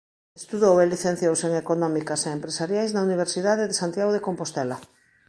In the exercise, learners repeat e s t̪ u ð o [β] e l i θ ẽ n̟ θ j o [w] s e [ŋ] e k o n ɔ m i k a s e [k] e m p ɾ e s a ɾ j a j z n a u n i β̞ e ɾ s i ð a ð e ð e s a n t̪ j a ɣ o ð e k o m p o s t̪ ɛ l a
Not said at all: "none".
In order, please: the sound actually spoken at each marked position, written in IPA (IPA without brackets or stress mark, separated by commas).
w, w, ŋ, none